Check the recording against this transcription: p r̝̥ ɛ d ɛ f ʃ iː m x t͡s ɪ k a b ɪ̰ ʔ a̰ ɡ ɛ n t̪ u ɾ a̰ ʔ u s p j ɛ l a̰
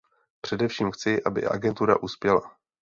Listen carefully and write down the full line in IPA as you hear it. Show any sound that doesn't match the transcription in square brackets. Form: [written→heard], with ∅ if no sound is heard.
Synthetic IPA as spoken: p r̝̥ ɛ d ɛ f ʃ iː m x t͡s ɪ [k→ʔ] a b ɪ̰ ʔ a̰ ɡ ɛ n t̪ u ɾ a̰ ʔ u s p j ɛ l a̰